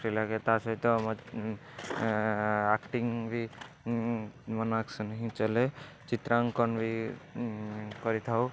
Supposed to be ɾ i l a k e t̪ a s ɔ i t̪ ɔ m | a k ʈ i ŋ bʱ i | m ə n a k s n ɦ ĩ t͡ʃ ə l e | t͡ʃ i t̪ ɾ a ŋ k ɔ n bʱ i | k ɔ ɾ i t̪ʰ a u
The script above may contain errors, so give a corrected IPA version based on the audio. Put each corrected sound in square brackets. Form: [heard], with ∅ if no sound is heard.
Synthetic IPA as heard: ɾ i l a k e t̪ a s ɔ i t̪ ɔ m | a k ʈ i ŋ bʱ i | m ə n a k s n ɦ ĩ t͡ʃ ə l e | t͡ʃ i t̪ ɾ a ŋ k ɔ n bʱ i | k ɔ ɾ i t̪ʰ a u